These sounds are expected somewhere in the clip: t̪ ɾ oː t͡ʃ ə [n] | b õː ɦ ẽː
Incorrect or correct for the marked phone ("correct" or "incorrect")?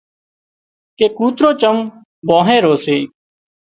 incorrect